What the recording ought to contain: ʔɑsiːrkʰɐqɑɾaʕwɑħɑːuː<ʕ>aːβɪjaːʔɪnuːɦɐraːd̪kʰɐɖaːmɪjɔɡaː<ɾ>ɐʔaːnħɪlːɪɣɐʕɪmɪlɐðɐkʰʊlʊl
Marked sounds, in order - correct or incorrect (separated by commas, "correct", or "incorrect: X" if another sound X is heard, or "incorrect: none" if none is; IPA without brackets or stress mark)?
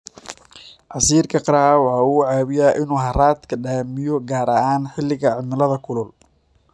correct, correct